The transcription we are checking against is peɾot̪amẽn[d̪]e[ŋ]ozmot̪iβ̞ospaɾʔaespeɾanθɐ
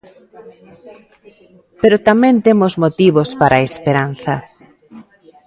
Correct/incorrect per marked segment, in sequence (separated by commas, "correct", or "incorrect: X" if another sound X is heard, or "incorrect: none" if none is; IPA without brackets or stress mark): incorrect: t̪, incorrect: m